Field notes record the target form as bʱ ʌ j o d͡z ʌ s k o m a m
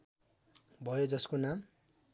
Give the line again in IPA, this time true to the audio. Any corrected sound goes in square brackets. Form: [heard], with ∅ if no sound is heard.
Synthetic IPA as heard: bʱ ʌ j o d͡z ʌ s k o [n] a m